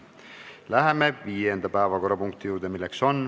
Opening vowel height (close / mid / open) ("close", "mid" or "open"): open